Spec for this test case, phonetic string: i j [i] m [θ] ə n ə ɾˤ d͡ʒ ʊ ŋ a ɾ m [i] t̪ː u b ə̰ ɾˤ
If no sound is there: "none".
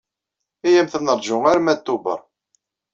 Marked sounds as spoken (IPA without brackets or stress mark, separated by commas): æ, θ, æ